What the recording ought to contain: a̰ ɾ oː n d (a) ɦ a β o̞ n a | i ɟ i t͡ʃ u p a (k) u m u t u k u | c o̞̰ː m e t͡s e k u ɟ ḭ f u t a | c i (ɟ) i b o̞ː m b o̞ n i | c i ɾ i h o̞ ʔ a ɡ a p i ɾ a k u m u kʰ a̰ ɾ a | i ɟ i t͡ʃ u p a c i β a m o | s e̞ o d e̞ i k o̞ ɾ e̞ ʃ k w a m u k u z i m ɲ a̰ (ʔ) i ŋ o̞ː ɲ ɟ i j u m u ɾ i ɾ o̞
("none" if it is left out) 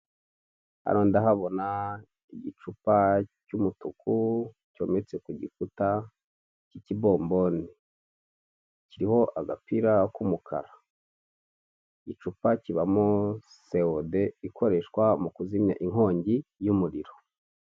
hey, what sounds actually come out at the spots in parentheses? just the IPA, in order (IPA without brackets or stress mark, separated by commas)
a, c, c, ʔ